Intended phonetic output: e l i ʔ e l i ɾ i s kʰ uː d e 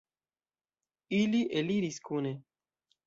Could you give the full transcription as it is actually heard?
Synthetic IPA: i l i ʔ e l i ɾ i s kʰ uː n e